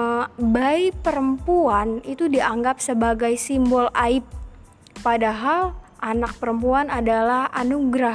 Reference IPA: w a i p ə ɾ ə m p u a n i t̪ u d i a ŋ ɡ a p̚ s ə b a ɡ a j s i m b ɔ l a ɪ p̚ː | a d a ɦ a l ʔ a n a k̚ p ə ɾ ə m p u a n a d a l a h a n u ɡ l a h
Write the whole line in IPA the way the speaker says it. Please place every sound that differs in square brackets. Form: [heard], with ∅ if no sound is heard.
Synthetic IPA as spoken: [b] a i p ə ɾ ə m p u a n i t̪ u d i a ŋ ɡ a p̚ s ə b a ɡ a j s i m b ɔ l a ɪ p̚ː | a d a ɦ a l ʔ a n a k̚ p ə ɾ ə m p u a n a d a l a h a n u ɡ [ɾ] a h